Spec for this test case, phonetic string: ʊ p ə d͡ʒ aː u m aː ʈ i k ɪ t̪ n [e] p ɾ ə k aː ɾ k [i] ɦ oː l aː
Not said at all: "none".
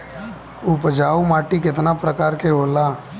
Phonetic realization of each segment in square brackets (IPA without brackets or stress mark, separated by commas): a, e